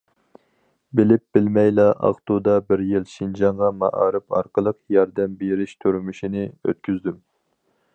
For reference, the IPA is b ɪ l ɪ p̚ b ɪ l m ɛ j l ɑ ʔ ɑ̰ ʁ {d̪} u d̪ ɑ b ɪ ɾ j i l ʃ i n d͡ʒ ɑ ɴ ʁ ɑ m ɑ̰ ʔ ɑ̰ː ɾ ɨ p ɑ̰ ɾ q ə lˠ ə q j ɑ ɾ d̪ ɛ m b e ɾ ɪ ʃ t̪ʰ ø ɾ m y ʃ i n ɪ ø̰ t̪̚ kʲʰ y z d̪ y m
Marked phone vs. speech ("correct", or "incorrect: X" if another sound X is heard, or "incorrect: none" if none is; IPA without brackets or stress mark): incorrect: t̪